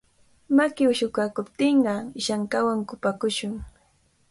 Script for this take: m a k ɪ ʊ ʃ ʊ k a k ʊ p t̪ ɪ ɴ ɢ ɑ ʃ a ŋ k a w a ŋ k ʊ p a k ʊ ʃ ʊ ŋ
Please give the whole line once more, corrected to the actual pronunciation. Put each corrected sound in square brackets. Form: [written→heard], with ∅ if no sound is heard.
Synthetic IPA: m a k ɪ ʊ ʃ ʊ k a k ʊ p t̪ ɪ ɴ ɢ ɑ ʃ a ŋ k a w a ŋ k ʊ p a k ʊ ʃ ʊ ŋ